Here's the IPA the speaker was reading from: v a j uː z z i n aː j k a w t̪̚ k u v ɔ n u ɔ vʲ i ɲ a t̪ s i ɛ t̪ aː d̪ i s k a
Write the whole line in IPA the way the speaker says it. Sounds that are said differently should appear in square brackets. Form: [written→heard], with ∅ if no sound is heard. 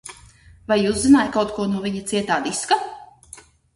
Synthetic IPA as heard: v a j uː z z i n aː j k a w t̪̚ k u [v→∅] ɔ n u ɔ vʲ i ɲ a t̪ s i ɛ t̪ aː d̪ i s k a

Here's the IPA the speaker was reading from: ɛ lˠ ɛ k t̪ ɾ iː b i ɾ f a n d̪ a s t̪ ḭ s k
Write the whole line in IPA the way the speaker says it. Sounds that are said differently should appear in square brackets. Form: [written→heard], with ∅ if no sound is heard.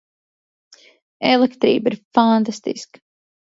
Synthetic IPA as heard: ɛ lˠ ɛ k t̪ ɾ iː b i ɾ f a n [d̪→t̪] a s t̪ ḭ s k

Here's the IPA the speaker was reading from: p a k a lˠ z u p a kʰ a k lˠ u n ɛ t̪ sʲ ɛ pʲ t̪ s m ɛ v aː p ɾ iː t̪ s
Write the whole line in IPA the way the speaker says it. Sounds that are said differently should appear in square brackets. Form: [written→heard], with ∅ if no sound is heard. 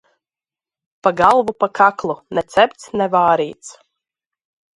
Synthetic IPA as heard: p a [k→ɡ] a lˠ [z→v] u p a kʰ a k lˠ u n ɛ t̪ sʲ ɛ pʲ t̪ s [m→n] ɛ v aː [p→∅] ɾ iː t̪ s

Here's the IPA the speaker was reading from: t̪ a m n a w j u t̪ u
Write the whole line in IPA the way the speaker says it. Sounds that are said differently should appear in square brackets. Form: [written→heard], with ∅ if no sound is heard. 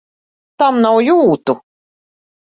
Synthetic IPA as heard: t̪ a m n a w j [u→uː] t̪ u

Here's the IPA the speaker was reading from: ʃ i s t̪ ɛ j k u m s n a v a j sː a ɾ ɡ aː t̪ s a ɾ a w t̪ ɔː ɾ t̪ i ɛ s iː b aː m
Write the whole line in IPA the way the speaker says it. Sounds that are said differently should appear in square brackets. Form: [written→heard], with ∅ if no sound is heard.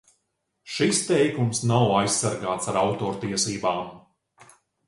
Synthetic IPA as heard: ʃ i s t̪ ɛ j k u m s n a [v→w] a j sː a ɾ ɡ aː t̪ s a ɾ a w t̪ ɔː ɾ t̪ i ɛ s iː b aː m

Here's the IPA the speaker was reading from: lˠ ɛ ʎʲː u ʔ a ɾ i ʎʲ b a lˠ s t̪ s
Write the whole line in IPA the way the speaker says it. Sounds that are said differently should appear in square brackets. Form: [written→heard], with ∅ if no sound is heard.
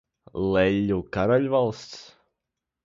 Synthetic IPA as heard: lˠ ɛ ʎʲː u [ʔ→k] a ɾ [i→a] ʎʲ [b→v] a lˠ s t̪ s

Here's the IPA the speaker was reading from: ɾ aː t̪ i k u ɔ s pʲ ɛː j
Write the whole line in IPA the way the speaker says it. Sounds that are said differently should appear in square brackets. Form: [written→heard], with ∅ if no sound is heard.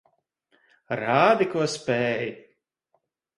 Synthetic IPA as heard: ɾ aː [t̪→d̪] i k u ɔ s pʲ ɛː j

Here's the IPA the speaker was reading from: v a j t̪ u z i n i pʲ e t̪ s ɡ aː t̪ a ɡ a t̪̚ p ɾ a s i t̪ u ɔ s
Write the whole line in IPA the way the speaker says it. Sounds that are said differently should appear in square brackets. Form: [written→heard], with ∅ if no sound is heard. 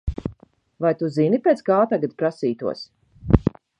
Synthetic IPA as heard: v a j t̪ u z i n i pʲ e t̪ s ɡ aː t̪ a ɡ a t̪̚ p ɾ a s [i→iː] t̪ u ɔ s

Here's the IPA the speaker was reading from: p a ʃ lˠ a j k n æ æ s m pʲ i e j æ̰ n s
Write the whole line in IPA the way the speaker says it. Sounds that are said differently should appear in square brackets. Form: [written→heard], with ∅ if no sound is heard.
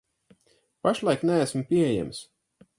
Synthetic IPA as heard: p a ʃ lˠ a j k n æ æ s m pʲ i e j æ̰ [n→m] s

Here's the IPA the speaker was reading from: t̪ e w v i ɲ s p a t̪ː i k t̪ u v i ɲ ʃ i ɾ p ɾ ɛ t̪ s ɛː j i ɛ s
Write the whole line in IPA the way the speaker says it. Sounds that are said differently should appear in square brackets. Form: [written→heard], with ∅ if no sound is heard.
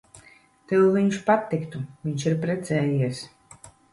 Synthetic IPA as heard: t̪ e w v i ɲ [s→ʃ] p a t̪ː i k t̪ u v i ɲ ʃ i ɾ p ɾ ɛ t̪ s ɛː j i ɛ s

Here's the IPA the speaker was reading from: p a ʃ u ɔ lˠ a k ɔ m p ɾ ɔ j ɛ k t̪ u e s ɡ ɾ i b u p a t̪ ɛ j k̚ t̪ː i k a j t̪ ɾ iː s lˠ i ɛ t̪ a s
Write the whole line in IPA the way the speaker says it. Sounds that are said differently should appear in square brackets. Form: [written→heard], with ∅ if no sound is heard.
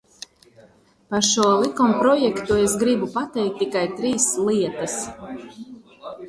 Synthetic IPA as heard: p a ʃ u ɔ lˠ [a→i] k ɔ m p ɾ ɔ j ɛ k t̪ u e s ɡ ɾ i b u p a t̪ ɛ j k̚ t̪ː i k a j t̪ ɾ iː s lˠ i ɛ t̪ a s

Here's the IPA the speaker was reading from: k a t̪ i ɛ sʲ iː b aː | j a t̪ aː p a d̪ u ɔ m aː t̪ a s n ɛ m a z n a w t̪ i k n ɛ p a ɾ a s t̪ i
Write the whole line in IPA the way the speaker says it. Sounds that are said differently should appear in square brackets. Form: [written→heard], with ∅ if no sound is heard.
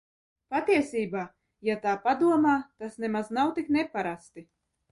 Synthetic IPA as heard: [k→p] a t̪ i ɛ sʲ iː b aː | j a t̪ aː p a d̪ u ɔ m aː t̪ a s n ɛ m a z n a w t̪ i k n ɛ p a ɾ a s t̪ i

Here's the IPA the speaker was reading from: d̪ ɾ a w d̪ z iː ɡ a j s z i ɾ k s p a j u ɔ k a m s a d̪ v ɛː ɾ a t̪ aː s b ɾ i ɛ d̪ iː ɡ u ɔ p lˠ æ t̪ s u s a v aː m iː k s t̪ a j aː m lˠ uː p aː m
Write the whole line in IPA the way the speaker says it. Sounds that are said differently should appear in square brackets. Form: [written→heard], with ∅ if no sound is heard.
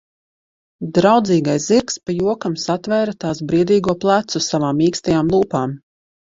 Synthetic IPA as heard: d̪ ɾ a w d̪ z iː ɡ a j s z i ɾ k s p a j u ɔ k a m s a [d̪→t̪] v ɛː ɾ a t̪ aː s b ɾ i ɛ d̪ iː ɡ u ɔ p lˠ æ t̪ s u s a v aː m iː k s t̪ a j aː m lˠ uː p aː m

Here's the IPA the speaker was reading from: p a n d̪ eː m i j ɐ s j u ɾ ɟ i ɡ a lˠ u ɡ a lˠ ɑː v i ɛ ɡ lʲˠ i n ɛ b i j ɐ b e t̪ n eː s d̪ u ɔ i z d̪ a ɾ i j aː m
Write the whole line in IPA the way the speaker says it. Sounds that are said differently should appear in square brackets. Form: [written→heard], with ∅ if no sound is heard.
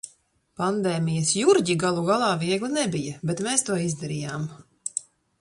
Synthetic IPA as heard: p a n d̪ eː m i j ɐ s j u ɾ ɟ i ɡ a lˠ u ɡ a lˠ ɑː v i ɛ ɡ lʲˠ i n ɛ b i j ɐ b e t̪ [n→m] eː s [d̪→t̪] u ɔ i z d̪ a ɾ i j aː m

